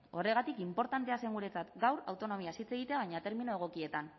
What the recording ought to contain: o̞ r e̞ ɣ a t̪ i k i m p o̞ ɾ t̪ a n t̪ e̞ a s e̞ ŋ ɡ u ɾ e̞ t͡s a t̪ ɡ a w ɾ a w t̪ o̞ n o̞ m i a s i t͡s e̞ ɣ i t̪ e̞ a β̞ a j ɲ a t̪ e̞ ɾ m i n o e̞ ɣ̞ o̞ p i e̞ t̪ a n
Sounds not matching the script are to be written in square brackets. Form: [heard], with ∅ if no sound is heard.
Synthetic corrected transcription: o̞ r e̞ ɣ a t̪ i k i m p o̞ ɾ t̪ a n t̪ e̞ a s e̞ ŋ ɡ u ɾ e̞ t͡s a t̪ ɡ a w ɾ a w t̪ o̞ n o̞ m i a s i t͡s e̞ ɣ i t̪ e̞ a β̞ a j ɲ a t̪ e̞ ɾ m i n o e̞ ɣ̞ o̞ [k] i e̞ t̪ a n